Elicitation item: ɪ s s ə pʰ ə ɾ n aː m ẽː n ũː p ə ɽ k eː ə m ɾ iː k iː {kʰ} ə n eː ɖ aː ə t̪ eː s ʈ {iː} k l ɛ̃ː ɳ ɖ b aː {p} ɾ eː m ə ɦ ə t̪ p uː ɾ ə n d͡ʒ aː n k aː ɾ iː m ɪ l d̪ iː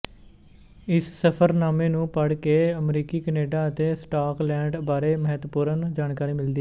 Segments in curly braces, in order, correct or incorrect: incorrect: k, incorrect: aː, incorrect: none

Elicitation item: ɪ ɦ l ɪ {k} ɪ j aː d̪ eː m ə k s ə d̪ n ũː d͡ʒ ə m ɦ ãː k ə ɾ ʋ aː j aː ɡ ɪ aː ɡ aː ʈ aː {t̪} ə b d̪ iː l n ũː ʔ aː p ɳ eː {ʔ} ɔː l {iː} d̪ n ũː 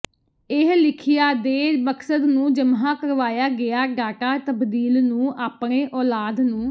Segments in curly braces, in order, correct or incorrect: incorrect: kʰ, correct, correct, incorrect: aː

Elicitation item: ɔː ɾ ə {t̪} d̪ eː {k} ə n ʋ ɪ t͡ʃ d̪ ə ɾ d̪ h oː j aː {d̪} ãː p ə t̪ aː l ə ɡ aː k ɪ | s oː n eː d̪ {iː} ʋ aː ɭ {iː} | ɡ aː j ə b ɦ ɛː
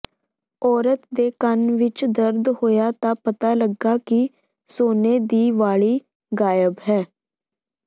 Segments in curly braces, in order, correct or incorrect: correct, correct, incorrect: t̪, correct, correct

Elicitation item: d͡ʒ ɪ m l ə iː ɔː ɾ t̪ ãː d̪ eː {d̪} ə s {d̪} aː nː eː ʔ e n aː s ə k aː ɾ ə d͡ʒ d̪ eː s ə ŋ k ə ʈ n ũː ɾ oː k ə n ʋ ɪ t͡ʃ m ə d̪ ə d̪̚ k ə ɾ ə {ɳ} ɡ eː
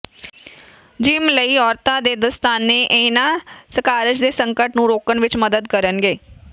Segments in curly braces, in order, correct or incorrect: correct, incorrect: t̪, incorrect: n

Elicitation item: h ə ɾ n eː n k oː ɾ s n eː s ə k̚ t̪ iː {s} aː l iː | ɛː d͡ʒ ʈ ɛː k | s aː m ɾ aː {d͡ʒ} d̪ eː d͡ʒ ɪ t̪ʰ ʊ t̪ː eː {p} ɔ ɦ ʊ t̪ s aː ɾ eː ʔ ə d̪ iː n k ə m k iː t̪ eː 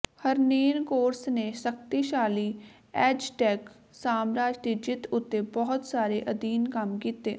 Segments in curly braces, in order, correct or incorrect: incorrect: ʃ, correct, incorrect: b

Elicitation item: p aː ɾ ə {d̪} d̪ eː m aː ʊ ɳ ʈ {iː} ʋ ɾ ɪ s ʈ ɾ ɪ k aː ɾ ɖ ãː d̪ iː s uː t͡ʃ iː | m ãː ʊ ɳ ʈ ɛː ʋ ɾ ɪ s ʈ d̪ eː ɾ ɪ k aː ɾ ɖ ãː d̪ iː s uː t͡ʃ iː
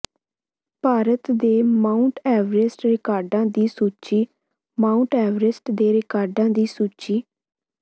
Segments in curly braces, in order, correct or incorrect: incorrect: t̪, incorrect: ɛː

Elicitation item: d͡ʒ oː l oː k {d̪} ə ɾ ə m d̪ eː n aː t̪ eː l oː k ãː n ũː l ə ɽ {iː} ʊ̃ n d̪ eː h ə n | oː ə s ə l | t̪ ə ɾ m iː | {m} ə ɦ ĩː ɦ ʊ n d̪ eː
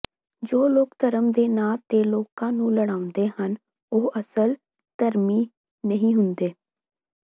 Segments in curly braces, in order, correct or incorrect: incorrect: t̪, incorrect: aː, incorrect: n

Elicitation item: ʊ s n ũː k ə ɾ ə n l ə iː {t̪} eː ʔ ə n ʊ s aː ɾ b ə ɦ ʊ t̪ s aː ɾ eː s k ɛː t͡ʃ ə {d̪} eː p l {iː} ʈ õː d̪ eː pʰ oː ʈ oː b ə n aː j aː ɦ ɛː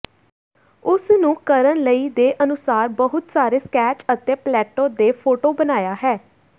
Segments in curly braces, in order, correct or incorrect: incorrect: d̪, incorrect: t̪, incorrect: ɛː

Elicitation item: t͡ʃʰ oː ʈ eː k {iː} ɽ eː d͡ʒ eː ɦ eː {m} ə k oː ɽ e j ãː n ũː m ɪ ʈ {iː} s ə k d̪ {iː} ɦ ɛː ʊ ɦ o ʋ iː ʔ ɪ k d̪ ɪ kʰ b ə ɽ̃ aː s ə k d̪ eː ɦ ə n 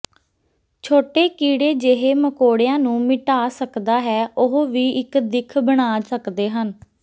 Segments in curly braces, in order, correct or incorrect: correct, correct, incorrect: aː, incorrect: aː

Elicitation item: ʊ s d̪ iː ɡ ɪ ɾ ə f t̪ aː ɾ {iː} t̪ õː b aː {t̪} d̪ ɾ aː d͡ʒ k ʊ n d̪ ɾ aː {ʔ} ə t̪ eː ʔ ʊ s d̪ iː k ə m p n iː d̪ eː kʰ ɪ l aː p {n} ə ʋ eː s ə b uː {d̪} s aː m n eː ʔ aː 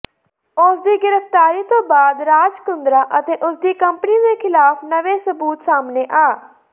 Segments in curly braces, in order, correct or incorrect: correct, incorrect: none, correct, correct, incorrect: t̪

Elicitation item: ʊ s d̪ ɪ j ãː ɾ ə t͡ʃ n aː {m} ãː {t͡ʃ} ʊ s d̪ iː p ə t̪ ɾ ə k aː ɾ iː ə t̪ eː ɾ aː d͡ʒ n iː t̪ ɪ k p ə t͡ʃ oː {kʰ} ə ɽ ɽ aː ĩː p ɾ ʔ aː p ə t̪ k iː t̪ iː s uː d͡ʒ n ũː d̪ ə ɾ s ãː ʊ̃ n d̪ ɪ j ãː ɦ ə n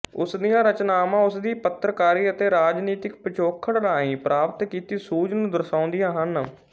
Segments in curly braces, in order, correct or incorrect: correct, incorrect: none, correct

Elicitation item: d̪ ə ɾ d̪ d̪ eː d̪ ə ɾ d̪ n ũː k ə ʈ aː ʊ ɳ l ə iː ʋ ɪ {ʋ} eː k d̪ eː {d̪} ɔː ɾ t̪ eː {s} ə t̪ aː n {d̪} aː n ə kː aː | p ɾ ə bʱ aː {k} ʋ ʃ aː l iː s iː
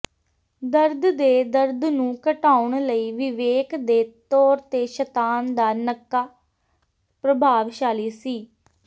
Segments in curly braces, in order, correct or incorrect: correct, incorrect: t̪, incorrect: ʃ, correct, incorrect: none

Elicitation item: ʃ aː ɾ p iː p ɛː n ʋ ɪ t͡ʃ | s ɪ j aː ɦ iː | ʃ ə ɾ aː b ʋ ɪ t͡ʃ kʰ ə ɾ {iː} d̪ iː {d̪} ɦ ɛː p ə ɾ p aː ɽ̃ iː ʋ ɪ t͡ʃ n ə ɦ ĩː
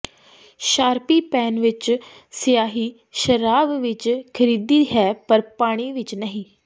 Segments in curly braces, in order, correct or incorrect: correct, incorrect: none

